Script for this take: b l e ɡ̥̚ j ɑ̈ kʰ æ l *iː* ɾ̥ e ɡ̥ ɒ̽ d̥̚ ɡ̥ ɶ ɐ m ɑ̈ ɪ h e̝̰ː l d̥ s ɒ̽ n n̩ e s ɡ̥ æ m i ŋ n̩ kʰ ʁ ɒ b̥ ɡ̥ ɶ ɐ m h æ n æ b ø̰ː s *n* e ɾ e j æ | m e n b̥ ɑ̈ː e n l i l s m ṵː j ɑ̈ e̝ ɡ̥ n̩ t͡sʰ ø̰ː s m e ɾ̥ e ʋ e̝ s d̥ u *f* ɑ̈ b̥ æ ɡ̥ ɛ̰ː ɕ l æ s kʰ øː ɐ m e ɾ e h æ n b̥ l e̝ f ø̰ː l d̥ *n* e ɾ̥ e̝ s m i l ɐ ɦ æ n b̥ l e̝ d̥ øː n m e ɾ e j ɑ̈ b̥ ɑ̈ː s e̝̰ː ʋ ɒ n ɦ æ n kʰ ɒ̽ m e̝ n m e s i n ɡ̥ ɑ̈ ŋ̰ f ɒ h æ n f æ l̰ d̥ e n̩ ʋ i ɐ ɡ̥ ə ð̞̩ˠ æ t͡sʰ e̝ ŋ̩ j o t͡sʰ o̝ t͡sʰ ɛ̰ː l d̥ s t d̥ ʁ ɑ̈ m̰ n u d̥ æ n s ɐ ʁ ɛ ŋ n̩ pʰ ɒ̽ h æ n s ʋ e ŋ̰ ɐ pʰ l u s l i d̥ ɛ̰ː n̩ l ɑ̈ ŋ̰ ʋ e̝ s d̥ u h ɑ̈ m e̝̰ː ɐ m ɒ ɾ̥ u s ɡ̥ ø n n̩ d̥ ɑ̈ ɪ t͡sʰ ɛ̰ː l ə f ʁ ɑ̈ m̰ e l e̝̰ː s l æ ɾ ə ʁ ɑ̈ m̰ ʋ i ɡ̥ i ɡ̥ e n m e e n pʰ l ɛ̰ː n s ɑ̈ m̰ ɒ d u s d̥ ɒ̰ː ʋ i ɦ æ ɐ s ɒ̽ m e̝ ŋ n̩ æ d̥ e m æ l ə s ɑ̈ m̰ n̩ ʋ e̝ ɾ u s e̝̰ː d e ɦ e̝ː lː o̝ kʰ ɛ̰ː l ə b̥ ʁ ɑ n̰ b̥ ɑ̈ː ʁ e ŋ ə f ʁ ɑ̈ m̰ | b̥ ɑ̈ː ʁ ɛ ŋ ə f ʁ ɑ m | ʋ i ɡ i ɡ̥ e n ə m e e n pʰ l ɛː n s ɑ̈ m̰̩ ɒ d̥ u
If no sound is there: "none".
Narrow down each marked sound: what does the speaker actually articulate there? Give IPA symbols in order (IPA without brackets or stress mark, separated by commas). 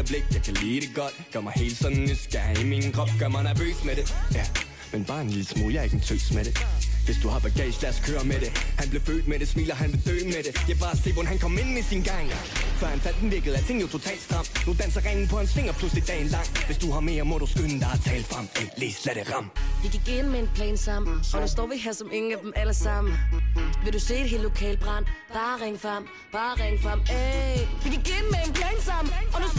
iː, m, h, m